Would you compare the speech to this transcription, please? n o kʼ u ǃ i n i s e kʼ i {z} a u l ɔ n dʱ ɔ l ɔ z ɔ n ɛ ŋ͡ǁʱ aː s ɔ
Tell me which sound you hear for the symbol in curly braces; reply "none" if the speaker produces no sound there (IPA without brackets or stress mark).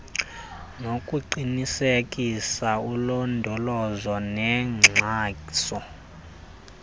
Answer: s